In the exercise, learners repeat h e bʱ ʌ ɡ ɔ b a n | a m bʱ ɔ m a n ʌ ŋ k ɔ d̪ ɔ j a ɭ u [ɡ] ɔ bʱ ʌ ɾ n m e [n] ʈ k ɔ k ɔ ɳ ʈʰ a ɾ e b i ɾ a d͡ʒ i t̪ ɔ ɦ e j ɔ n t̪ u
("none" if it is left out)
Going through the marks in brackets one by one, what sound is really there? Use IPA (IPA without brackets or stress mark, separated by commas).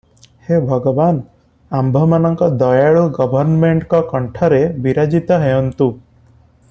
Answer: ɡ, ɳ